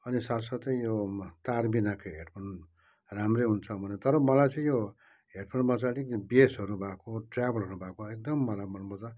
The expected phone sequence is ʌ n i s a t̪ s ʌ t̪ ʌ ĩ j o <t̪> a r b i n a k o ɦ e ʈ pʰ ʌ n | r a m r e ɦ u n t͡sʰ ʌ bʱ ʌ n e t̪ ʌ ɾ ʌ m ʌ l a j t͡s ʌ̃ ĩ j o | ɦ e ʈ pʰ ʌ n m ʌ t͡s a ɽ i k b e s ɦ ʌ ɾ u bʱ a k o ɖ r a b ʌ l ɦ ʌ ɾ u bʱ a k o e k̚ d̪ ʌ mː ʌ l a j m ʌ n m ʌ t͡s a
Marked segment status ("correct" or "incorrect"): correct